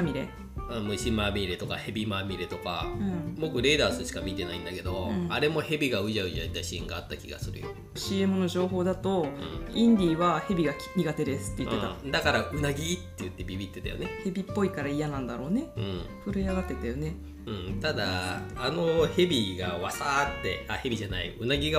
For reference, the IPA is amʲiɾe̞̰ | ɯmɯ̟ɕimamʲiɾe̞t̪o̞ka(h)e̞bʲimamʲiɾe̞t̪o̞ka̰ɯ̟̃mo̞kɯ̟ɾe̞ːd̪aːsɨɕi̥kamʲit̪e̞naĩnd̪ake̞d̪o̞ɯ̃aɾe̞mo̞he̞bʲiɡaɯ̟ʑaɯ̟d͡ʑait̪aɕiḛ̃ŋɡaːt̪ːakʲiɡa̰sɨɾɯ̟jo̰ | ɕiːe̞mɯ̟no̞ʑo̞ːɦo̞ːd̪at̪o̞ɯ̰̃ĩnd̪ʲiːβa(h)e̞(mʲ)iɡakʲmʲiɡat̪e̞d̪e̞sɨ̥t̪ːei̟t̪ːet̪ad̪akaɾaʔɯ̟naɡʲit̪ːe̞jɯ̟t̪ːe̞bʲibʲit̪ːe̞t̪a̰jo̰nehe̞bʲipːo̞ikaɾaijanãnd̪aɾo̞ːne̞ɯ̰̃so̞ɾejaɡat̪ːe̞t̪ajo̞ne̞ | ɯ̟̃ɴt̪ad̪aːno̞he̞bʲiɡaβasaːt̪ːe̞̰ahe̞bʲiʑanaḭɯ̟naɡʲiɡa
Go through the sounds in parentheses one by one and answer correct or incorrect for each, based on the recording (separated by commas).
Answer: correct, correct, incorrect